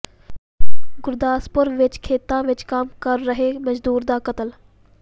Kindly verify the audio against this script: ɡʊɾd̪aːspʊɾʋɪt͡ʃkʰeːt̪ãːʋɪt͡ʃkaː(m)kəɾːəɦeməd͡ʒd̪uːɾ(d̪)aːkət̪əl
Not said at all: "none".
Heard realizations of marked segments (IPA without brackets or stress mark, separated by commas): m, d̪